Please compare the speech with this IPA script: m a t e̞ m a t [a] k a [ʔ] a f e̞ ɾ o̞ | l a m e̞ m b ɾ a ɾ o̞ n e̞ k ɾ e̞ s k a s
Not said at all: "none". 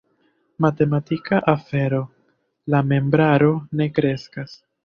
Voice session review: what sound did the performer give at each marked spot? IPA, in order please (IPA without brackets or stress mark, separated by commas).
i, ʔ